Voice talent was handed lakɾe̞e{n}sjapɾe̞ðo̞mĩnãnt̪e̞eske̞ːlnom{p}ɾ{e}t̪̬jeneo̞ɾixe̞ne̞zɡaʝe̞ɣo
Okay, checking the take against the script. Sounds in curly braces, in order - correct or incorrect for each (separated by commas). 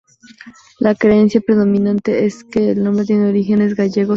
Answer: correct, incorrect, correct